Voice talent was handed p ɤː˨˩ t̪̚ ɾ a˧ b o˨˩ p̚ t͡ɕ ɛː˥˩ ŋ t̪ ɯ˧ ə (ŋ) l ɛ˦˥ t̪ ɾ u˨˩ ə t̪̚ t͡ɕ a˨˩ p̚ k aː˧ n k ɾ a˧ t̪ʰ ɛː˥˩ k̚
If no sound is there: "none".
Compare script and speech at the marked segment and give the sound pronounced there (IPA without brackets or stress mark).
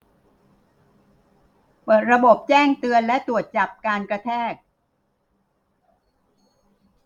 n